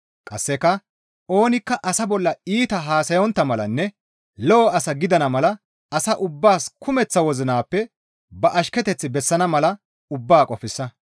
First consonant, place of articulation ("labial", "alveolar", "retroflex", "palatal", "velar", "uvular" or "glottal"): velar